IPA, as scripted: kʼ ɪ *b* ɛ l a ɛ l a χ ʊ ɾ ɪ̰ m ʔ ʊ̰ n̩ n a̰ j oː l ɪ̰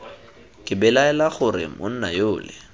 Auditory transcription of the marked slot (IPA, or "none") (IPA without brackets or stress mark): b